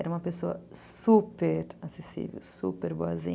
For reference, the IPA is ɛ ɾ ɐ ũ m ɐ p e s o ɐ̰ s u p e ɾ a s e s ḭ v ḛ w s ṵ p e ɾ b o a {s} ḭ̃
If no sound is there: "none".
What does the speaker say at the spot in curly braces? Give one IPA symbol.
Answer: z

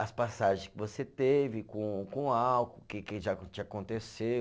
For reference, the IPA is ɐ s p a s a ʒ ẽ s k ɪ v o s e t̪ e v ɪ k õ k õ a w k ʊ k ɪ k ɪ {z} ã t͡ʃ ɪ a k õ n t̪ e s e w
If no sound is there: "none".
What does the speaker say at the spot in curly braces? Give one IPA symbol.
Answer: ʒ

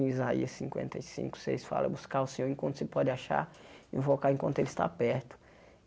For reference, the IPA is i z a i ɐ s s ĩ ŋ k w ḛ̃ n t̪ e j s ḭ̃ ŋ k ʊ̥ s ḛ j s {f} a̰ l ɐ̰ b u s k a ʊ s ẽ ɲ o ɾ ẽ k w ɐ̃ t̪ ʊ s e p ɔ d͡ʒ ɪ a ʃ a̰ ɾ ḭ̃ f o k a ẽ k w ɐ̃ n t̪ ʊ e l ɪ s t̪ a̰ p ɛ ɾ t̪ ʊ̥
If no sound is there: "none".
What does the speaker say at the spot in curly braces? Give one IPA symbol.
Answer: f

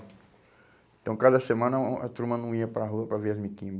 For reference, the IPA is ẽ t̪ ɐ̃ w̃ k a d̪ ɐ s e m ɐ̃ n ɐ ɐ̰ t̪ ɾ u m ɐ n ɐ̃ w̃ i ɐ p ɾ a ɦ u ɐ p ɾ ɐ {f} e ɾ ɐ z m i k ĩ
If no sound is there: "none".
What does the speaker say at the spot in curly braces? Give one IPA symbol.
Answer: v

